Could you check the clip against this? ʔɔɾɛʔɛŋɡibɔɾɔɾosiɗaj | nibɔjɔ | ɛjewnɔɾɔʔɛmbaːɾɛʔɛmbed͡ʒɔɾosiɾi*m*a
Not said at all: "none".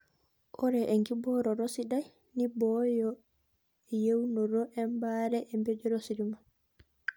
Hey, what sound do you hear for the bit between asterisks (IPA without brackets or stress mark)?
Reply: m